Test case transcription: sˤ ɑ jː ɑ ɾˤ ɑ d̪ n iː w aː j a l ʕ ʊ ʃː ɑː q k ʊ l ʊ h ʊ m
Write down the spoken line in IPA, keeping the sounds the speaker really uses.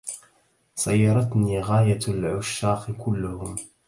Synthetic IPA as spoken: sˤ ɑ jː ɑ ɾˤ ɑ t̪ n iː ɣ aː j a l ʕ ʊ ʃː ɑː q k ʊ lː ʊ h ʊ m